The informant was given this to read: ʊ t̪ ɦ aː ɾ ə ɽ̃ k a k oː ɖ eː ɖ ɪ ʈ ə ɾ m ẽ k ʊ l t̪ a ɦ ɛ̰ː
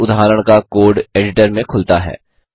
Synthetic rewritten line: ʊ d̪ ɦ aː ɾ ə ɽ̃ k a k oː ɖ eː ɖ ɪ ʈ ə ɾ m ẽ kʰ ʊ l t̪ a ɦ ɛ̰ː